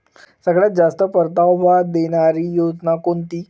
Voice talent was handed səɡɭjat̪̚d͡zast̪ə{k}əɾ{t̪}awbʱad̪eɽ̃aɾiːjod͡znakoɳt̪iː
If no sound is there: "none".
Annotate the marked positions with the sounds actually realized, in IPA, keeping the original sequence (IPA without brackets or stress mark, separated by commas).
p, t̪